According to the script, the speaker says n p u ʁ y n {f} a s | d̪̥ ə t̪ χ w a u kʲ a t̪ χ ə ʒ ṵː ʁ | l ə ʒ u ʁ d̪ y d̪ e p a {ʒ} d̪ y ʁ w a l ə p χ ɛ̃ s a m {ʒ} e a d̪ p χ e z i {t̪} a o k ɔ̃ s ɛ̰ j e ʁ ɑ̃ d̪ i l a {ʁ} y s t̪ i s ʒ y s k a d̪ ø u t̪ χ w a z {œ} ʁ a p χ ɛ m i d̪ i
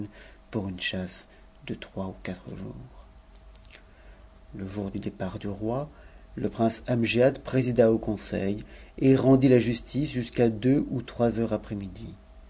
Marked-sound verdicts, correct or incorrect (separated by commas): incorrect, incorrect, correct, incorrect, incorrect, correct